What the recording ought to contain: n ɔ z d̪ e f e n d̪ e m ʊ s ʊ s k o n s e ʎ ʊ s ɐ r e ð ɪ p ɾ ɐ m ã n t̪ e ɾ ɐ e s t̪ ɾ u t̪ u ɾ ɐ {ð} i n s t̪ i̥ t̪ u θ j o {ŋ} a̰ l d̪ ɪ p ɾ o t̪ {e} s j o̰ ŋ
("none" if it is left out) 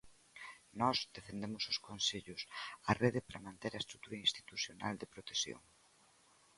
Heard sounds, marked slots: none, n, e

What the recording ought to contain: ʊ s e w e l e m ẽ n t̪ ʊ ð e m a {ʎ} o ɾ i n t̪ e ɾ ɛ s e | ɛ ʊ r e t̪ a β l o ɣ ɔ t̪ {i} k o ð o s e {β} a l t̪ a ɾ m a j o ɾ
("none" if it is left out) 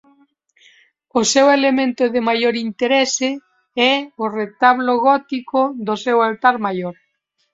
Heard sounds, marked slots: j, i, w

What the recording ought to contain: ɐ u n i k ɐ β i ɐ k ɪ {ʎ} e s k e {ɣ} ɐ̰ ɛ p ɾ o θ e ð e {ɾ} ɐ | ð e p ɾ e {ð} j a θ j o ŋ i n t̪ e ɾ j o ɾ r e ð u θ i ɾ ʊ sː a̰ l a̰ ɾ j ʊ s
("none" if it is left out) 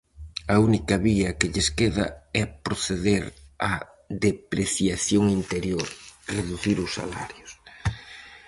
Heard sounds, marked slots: ʎ, ð, ɾ, θ

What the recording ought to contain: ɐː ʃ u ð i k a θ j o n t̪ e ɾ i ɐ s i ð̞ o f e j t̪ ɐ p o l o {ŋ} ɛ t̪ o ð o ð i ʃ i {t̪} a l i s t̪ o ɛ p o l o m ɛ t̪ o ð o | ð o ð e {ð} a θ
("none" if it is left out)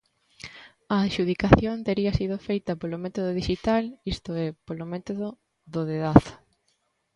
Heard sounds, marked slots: m, t̪, ð

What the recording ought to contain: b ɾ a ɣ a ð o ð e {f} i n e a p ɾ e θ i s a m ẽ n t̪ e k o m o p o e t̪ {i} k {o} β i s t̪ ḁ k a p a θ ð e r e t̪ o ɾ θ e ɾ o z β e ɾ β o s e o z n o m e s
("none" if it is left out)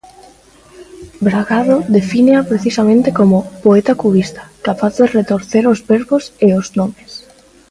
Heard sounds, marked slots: f, a, u

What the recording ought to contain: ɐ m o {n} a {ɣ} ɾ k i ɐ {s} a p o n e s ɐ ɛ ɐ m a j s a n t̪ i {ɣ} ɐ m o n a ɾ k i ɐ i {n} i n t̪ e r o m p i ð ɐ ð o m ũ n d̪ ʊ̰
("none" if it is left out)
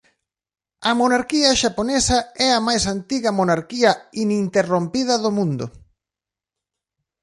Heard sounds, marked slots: n, none, ʃ, ɣ, n

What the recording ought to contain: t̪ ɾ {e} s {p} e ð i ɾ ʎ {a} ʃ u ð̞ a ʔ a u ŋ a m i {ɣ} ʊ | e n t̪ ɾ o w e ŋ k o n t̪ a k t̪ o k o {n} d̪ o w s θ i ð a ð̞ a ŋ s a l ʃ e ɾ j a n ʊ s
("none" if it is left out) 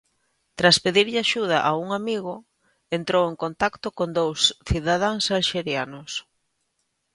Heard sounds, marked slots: a, p, a, ɣ, n

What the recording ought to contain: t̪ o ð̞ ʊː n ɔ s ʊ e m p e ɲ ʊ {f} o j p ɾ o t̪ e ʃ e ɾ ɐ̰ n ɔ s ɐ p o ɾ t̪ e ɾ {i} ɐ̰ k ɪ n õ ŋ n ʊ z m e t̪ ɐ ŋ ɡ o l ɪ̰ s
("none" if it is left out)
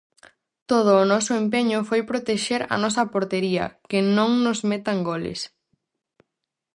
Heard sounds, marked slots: f, i

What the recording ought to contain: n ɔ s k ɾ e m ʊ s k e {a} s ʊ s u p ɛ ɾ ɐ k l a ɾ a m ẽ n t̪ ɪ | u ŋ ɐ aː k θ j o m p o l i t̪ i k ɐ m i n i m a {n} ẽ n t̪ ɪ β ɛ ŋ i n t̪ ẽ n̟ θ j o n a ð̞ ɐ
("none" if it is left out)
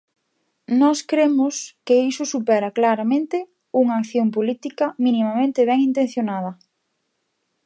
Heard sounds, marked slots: i, m

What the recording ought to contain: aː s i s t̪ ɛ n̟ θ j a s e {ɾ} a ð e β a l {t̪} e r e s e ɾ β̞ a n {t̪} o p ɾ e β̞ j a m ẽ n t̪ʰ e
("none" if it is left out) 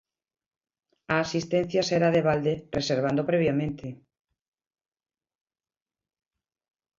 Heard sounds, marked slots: ɾ, d̪, d̪

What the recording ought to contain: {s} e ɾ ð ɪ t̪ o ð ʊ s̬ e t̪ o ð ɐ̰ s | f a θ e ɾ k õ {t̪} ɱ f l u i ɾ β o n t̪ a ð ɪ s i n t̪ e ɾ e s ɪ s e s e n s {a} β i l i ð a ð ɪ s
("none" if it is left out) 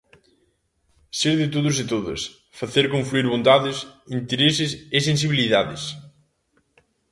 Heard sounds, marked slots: s, none, i

